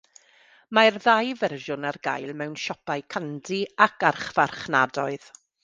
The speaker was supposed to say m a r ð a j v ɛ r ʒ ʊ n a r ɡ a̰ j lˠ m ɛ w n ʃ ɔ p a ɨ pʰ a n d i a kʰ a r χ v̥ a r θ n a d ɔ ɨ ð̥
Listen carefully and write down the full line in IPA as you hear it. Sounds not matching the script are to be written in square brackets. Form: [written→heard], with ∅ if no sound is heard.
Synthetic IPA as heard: m a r ð a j v ɛ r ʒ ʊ n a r ɡ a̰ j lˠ m ɛ w n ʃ ɔ p a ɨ [pʰ→kʰ] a n d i a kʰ a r χ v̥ a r [θ→χ] n a d ɔ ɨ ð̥